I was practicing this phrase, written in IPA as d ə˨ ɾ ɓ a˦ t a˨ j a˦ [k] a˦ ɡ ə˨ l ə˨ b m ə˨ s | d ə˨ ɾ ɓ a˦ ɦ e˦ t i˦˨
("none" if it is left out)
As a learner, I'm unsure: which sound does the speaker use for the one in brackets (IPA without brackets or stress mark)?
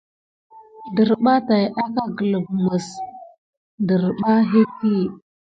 k